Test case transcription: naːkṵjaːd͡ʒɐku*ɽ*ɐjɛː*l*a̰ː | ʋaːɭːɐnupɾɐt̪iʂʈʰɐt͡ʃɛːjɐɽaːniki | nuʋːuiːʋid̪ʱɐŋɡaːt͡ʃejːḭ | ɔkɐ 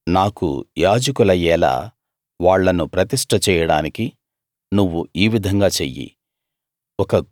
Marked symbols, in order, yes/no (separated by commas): no, yes